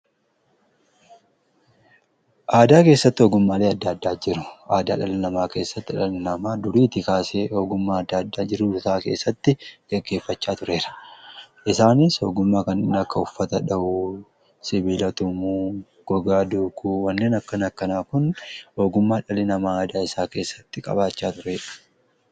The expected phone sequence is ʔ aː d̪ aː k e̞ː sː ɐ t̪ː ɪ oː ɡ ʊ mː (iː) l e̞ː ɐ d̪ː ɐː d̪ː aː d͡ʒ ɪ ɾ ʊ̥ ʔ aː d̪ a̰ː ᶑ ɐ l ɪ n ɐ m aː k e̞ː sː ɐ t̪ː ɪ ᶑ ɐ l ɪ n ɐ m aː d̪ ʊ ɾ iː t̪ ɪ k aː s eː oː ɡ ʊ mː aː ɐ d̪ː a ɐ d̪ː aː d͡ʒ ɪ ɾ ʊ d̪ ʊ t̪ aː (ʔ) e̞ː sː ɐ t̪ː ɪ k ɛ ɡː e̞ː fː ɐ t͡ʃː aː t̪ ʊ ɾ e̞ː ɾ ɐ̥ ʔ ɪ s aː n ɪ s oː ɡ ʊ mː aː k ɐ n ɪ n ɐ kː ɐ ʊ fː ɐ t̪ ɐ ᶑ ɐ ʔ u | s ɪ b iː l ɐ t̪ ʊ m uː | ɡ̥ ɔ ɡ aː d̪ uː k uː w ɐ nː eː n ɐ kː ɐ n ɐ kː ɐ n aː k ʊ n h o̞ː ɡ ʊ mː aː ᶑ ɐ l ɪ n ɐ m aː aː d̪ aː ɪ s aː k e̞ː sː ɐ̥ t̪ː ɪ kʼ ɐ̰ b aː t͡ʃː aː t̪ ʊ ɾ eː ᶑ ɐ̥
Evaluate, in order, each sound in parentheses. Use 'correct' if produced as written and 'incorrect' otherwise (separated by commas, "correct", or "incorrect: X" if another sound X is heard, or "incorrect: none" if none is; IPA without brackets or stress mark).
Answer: incorrect: aː, incorrect: k